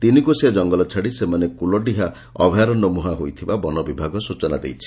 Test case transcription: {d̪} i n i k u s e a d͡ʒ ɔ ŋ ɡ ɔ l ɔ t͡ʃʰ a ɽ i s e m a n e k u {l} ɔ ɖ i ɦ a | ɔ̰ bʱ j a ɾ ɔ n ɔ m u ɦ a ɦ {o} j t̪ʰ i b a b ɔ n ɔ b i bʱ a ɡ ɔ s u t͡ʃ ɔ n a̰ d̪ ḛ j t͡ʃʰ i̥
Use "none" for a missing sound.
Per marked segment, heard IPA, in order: t̪, l, o

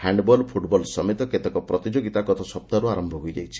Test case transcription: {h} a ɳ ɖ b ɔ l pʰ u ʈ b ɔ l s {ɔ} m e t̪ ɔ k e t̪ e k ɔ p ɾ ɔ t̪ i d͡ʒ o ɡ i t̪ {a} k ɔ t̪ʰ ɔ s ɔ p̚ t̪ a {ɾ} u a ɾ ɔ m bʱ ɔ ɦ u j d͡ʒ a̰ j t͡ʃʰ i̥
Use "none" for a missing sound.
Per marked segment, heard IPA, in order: h, ɔ, a, ɾ

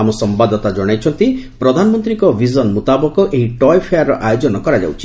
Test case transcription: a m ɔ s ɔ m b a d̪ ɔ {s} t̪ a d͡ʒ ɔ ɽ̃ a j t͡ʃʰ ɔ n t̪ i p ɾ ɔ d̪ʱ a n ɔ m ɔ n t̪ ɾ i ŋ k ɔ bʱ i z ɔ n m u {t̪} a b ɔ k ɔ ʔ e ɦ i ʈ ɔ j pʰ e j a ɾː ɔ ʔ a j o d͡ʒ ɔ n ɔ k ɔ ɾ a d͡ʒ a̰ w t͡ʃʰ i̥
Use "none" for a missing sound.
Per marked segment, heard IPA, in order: none, t̪

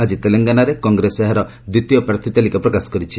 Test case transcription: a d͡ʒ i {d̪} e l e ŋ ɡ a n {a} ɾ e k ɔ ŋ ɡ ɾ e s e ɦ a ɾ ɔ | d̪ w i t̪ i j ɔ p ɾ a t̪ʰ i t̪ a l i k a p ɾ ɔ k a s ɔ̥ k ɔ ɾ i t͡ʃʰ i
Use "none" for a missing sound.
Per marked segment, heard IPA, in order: t̪, a

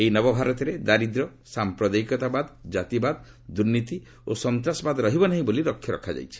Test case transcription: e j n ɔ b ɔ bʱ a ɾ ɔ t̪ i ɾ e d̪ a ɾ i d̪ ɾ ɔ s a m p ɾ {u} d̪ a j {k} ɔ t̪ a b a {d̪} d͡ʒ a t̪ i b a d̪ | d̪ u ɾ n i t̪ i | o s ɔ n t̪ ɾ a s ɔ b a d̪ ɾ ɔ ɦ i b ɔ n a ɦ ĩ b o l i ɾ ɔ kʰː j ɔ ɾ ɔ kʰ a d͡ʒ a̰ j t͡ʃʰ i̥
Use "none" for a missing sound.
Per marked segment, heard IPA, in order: ɔ, k, d̪

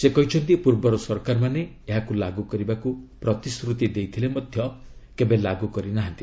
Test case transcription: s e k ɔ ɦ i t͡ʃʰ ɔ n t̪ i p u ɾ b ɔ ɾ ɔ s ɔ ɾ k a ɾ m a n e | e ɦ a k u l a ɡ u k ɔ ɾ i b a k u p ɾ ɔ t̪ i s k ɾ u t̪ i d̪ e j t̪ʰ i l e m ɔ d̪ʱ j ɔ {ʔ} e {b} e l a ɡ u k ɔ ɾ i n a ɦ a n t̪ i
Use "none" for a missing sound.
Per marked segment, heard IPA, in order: k, b

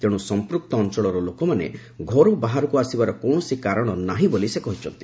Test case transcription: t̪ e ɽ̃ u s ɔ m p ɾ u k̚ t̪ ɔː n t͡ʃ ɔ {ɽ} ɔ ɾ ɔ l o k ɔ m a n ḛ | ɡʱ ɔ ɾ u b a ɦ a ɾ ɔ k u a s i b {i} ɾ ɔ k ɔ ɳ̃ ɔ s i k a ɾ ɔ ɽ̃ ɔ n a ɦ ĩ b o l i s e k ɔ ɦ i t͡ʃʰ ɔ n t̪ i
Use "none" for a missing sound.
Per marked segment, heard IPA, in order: ɭ, a

